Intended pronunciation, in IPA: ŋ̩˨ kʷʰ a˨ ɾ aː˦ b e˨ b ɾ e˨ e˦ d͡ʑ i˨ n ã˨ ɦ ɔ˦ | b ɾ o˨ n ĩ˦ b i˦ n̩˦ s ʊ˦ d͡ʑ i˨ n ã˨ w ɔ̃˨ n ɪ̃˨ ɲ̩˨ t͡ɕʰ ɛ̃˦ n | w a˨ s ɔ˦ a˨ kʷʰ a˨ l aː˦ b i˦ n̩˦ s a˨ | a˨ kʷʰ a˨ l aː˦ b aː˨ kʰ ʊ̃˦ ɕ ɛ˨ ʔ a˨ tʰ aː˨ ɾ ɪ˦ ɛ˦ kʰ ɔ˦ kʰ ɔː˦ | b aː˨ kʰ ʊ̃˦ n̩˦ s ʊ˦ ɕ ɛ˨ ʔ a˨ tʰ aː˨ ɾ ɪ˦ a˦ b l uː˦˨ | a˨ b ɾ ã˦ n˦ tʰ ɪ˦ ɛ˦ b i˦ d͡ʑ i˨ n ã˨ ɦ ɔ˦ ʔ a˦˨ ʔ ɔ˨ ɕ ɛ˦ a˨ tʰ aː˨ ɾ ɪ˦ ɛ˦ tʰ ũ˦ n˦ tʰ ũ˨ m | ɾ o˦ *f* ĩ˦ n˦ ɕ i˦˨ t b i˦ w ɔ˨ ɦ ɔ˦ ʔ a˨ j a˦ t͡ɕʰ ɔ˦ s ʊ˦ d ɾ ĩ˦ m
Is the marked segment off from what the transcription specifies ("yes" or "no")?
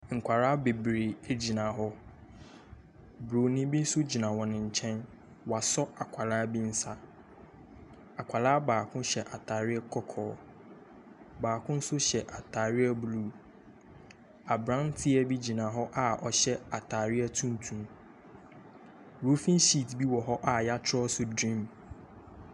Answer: no